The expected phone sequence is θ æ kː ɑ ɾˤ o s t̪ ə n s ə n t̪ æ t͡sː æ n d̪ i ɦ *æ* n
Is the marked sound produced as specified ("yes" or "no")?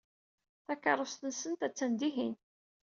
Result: no